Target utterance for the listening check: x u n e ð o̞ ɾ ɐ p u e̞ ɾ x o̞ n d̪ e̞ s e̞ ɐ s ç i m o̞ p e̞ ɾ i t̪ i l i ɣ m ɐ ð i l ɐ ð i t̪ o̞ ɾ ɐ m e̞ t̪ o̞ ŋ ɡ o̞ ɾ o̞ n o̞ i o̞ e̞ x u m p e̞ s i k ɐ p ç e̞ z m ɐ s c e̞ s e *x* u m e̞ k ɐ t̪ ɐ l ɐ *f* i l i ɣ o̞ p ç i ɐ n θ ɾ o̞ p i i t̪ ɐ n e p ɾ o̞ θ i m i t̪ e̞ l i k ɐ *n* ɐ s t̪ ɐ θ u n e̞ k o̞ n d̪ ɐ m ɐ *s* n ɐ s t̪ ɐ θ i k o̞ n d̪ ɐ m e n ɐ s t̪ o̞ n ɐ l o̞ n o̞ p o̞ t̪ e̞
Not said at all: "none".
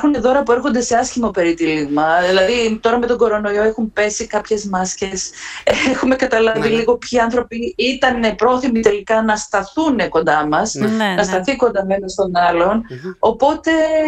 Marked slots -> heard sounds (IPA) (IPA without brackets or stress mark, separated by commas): x, v, n, s